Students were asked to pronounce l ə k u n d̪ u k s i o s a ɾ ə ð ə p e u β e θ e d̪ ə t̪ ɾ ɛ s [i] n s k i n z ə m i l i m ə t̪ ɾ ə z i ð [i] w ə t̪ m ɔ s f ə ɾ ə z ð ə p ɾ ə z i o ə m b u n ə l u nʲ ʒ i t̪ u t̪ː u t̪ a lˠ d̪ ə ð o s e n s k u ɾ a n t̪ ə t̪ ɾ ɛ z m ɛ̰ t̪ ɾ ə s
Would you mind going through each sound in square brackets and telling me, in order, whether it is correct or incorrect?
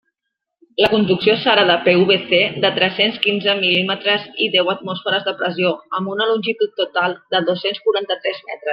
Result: incorrect, incorrect

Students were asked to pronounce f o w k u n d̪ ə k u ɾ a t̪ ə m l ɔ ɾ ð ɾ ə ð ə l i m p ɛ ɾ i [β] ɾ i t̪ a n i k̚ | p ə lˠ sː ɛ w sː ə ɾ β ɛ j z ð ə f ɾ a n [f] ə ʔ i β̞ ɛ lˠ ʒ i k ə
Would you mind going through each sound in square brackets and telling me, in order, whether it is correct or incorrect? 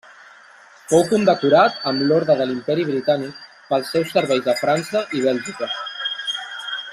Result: correct, incorrect

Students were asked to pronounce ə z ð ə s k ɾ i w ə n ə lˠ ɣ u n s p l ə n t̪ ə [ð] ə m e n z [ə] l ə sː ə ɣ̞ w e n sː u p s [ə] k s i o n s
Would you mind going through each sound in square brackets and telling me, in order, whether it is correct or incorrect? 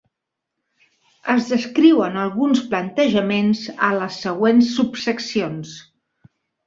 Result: incorrect, correct, correct

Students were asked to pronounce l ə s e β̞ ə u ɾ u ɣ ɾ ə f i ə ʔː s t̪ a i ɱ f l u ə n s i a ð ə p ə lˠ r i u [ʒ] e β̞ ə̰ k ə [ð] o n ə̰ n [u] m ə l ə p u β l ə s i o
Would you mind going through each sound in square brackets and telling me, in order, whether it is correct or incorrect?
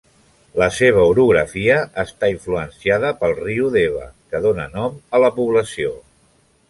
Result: incorrect, correct, incorrect

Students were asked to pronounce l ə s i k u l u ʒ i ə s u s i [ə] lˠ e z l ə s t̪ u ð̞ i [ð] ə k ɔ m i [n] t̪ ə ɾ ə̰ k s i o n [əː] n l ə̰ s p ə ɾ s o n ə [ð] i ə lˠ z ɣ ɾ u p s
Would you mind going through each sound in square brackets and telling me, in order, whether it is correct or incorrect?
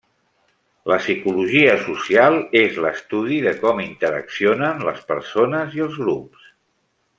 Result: incorrect, correct, correct, incorrect, incorrect

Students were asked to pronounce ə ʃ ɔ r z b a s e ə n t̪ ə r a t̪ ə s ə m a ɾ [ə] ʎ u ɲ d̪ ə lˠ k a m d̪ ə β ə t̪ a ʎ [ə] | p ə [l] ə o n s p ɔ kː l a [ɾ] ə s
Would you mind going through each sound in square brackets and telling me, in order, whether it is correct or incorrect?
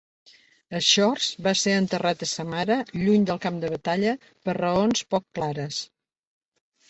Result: correct, correct, incorrect, correct

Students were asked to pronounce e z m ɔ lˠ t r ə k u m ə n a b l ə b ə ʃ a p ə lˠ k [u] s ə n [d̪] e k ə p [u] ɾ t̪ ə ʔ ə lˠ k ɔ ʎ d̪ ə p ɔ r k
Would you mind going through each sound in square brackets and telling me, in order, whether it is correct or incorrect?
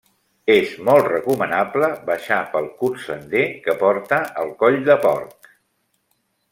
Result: correct, correct, incorrect

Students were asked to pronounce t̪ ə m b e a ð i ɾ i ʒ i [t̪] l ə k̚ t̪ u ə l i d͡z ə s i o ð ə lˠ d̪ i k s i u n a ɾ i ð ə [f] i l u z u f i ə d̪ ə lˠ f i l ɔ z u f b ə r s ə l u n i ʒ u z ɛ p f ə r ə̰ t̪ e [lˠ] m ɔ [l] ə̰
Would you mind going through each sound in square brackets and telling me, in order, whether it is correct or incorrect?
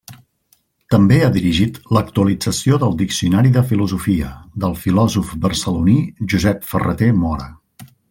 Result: correct, correct, incorrect, incorrect

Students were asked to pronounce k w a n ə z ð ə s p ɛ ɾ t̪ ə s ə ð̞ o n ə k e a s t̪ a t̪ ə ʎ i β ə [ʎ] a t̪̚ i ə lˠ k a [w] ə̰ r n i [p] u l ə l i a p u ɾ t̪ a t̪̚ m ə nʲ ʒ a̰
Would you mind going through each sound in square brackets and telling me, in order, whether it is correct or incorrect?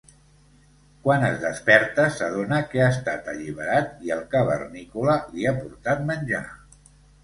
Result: incorrect, incorrect, incorrect

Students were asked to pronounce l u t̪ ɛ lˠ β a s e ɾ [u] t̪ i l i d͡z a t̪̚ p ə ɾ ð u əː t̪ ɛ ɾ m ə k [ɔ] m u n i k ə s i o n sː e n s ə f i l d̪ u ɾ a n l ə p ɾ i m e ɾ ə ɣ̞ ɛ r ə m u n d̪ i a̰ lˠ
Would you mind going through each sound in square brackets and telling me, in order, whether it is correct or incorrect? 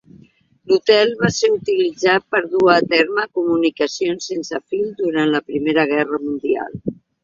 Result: correct, incorrect

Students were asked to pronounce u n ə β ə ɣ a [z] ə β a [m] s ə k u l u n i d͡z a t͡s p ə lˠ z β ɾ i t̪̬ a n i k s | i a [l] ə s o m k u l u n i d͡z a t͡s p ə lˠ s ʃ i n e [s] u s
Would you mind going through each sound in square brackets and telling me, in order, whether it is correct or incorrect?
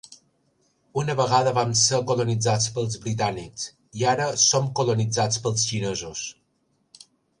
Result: incorrect, correct, incorrect, incorrect

